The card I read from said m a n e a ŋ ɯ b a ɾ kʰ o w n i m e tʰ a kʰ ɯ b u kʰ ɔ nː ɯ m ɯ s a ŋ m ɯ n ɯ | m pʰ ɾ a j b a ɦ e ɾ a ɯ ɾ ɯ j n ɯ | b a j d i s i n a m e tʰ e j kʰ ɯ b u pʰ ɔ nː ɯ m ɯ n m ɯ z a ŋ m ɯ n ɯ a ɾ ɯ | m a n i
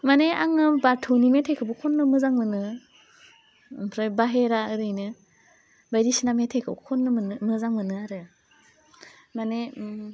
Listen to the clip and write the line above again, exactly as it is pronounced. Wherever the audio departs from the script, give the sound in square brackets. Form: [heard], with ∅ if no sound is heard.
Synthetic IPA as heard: m a n e a ŋ ɯ b a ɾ [tʰ] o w n i m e tʰ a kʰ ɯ b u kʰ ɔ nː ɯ m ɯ [z] a ŋ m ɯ n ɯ | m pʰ ɾ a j b a ɦ e ɾ a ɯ ɾ ɯ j n ɯ | b a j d i s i n a m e tʰ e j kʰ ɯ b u [kʰ] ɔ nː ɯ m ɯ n m ɯ z a ŋ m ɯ n ɯ a ɾ ɯ | m a n [e]